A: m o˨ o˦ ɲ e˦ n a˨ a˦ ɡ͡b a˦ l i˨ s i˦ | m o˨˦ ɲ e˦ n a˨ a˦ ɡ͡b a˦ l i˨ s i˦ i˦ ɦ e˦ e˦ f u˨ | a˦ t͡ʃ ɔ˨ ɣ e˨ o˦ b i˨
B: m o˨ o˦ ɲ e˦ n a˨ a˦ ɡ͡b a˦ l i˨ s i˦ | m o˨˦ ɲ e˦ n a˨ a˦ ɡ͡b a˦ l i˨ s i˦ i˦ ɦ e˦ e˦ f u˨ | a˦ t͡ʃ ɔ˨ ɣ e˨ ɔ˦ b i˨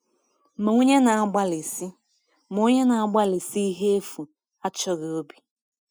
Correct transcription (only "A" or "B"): A